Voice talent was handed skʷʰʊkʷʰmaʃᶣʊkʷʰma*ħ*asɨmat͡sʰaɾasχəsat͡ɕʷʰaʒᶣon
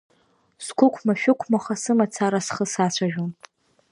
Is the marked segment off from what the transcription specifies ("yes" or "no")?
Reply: yes